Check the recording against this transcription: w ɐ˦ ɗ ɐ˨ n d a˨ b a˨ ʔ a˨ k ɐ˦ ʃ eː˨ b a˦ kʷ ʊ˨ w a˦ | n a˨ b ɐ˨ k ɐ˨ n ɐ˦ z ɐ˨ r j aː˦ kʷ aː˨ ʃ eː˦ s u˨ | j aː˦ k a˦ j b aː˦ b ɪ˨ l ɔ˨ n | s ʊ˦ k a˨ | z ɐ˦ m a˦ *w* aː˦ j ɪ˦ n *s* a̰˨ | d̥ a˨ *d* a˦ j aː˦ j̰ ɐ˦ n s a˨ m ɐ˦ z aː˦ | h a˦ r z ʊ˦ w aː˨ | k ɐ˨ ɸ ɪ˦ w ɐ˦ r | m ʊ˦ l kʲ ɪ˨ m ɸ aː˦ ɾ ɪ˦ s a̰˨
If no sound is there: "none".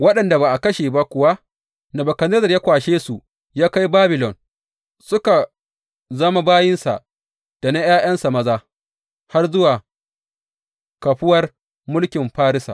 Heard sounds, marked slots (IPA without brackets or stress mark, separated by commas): b, s, n